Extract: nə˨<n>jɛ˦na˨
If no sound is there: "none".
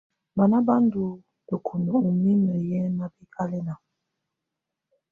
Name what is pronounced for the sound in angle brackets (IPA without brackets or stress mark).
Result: none